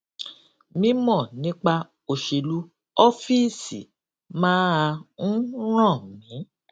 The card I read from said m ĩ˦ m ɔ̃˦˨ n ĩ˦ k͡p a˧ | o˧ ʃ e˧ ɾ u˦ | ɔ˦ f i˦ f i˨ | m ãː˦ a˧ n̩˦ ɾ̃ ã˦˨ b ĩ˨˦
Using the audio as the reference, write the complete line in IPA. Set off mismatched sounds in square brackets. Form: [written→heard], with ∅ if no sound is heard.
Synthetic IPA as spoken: m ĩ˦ m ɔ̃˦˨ n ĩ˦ k͡p a˧ | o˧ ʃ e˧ [ɾ→l] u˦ | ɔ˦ f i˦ [f→s] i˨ | m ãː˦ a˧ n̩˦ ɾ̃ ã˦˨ [b→m] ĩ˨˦